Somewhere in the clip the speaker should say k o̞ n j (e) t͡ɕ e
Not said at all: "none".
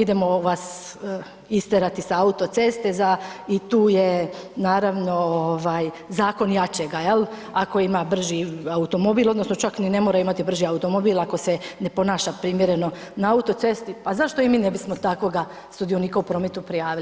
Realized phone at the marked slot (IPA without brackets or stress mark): a